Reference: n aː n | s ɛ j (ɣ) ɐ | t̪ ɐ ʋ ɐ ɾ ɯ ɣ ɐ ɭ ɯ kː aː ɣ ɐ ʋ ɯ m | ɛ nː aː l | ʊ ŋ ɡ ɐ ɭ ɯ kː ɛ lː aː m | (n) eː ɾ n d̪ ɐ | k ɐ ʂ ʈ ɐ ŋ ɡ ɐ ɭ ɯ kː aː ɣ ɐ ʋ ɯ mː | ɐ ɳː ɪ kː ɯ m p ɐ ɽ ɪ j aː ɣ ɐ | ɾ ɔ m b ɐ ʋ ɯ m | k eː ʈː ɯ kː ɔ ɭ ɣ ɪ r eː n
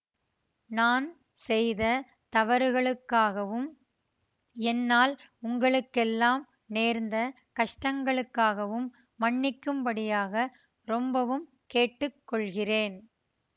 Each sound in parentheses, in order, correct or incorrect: incorrect: ð, correct

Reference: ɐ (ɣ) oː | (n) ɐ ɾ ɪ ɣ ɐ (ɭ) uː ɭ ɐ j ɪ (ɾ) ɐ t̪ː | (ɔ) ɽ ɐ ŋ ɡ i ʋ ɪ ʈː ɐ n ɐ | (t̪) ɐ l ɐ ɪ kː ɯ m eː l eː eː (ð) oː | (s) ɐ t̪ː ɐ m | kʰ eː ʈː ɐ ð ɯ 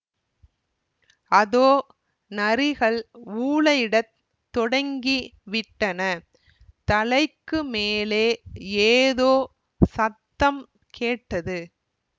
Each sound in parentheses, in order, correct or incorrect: incorrect: ð, correct, correct, incorrect: ɽ, correct, correct, correct, correct

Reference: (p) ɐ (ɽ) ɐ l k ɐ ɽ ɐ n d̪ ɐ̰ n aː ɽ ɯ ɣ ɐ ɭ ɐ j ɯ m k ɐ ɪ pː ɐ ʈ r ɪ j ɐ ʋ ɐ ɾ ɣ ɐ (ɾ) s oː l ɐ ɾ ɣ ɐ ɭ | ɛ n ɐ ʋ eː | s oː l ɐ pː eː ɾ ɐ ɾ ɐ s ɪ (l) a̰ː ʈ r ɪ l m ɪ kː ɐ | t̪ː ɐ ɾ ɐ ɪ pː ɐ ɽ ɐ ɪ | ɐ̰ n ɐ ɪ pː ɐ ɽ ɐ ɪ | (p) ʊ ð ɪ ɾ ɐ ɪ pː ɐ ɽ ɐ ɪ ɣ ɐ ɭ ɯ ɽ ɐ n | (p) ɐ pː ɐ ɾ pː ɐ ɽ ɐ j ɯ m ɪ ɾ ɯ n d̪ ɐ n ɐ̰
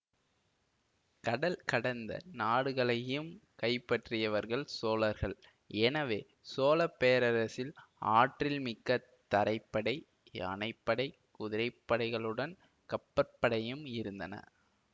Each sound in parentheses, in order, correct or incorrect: incorrect: k, correct, incorrect: ɭ, correct, incorrect: k, incorrect: k

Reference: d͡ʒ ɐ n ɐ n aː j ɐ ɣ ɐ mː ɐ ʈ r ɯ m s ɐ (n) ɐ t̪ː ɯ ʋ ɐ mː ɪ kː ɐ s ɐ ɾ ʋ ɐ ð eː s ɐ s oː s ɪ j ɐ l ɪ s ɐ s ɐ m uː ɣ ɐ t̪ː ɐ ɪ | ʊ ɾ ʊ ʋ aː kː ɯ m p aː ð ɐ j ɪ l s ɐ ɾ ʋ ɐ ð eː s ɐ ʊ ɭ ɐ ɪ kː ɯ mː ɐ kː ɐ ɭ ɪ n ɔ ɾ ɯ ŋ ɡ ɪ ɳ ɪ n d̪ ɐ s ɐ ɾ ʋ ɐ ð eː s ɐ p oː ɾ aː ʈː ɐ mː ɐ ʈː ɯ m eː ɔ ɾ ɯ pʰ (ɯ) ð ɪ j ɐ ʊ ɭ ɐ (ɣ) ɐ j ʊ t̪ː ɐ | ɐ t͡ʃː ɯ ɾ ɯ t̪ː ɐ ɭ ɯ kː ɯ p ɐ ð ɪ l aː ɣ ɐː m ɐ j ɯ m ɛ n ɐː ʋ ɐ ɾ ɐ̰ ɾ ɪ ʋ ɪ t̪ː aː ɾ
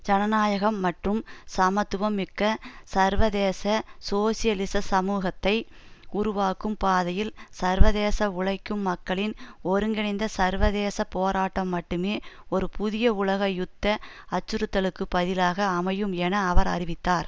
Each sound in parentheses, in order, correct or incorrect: incorrect: m, incorrect: ʊ, correct

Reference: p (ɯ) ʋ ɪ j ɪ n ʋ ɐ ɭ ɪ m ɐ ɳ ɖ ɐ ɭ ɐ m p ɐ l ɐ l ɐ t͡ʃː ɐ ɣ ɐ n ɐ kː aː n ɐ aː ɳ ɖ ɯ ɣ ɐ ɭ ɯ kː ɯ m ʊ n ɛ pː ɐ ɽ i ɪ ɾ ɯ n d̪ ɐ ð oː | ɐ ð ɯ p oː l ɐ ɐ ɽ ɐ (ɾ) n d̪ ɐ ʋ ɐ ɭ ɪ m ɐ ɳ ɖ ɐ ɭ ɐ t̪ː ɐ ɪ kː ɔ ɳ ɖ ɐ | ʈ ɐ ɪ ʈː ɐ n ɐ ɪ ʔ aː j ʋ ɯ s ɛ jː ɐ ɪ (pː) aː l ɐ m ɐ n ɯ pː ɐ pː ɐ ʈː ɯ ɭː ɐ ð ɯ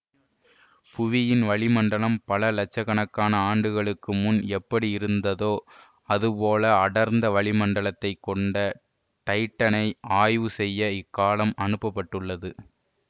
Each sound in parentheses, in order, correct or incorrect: incorrect: ʊ, correct, incorrect: kː

